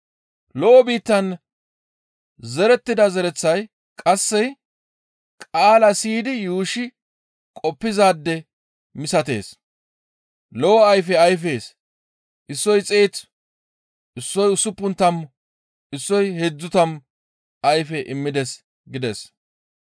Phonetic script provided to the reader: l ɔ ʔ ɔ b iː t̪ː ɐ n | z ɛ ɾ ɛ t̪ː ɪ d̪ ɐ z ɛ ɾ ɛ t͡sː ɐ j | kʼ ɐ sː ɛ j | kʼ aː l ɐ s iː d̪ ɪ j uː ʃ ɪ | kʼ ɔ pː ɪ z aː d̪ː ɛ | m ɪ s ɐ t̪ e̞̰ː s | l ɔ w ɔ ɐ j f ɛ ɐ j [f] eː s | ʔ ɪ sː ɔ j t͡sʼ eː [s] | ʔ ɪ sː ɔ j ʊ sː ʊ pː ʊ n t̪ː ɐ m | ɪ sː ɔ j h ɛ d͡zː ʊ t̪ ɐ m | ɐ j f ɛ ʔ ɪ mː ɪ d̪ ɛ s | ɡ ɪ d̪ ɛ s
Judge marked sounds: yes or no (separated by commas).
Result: yes, no